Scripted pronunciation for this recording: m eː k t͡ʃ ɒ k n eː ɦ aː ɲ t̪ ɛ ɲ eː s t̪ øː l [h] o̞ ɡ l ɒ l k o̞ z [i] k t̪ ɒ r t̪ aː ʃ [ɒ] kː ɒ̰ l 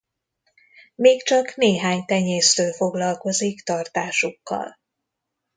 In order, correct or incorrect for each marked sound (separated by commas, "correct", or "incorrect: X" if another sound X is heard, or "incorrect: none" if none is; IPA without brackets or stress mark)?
incorrect: f, correct, incorrect: u